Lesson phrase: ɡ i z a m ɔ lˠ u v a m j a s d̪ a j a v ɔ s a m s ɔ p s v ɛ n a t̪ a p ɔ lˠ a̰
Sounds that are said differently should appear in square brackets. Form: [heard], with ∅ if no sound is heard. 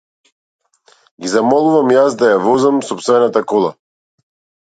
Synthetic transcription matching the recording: ɡ i z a m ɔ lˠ u v a m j a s d̪ a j a v ɔ [z] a m s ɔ p s v ɛ n a t̪ a [k] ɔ lˠ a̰